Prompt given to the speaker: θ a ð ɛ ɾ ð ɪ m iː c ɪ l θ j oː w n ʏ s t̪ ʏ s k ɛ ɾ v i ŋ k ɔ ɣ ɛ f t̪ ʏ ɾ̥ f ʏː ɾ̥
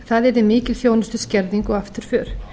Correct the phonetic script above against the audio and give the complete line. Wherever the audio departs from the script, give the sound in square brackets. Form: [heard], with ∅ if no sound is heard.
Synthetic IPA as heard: θ a ð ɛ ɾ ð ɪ m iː c ɪ l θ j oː w n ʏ s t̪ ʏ s [c] ɛ ɾ [ð] i ŋ k ɔ ɣ [a] f t̪ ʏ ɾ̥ f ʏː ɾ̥